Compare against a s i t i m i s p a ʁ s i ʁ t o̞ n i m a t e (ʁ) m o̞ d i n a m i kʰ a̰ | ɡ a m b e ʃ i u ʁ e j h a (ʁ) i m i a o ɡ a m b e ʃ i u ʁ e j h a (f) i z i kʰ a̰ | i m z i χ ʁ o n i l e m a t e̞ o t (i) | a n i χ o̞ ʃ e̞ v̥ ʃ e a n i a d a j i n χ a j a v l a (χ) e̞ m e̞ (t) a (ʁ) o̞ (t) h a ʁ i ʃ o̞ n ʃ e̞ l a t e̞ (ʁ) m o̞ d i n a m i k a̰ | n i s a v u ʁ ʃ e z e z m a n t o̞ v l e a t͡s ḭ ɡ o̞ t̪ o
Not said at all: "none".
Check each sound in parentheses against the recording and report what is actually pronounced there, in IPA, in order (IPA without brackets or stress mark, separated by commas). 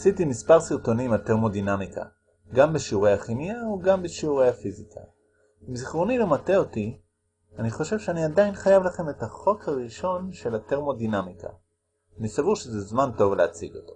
ʁ, χ, f, i, χ, t, χ, k, ʁ